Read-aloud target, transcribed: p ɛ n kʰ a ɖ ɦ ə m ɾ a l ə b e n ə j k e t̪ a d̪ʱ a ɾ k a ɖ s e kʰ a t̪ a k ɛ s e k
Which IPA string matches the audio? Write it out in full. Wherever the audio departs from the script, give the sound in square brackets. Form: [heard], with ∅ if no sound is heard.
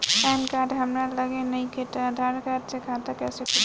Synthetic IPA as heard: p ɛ n [k] a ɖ ɦ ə m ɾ a l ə [ɡ] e n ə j k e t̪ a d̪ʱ a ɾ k a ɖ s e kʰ a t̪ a k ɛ s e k